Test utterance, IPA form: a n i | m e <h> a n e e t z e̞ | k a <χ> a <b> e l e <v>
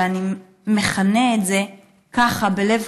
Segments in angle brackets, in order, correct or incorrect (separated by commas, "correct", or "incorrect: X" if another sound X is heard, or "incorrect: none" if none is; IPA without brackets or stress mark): incorrect: χ, correct, correct, correct